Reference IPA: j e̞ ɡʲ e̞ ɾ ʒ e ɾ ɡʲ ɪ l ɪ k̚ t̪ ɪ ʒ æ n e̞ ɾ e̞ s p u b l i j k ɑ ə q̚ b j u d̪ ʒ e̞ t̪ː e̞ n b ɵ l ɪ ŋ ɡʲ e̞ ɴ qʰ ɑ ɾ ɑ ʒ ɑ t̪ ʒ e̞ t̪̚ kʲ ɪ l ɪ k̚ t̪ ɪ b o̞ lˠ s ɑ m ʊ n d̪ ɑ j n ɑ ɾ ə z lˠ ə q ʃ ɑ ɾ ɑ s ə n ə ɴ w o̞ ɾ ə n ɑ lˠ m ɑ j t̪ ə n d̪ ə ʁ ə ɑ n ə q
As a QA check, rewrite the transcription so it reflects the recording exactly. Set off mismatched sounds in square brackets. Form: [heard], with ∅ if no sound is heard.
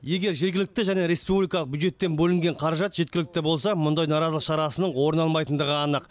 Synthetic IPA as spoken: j e̞ ɡʲ e̞ ɾ ʒ e ɾ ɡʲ ɪ l ɪ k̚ t̪ ɪ ʒ æ n e̞ ɾ e̞ s p u b l i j k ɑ ə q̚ b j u d̪ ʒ e̞ t̪ː e̞ n b ɵ l ɪ ŋ ɡʲ e̞ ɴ qʰ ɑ ɾ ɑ ʒ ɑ t̪ ʒ e̞ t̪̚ kʲ ɪ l ɪ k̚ t̪ ɪ b o̞ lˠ s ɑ m ʊ n d̪ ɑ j n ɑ ɾ [ɑ] z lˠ ə q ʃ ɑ ɾ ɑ s ə n ə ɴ w o̞ ɾ ə n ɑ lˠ m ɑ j t̪ ə n d̪ ə ʁ ə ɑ n ə q